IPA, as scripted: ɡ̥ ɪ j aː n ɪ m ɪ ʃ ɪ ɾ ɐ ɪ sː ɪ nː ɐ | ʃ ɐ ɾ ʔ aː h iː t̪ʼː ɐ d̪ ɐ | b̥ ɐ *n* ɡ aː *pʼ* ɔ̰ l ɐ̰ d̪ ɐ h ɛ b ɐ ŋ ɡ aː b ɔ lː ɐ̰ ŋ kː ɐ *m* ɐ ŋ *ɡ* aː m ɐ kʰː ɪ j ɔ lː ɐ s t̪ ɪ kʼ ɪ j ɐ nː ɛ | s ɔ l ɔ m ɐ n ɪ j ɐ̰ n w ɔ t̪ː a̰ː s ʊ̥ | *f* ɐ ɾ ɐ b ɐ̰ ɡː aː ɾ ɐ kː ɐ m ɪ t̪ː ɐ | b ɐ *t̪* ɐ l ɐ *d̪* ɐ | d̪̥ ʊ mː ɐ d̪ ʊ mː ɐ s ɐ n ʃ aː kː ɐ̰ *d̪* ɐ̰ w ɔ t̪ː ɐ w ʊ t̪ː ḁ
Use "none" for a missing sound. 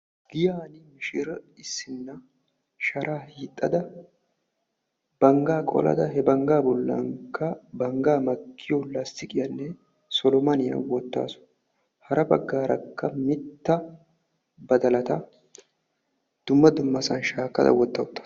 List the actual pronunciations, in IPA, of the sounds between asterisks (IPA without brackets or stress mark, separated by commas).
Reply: ŋ, kʼ, b, ɡ, h, d̪, t̪, d̪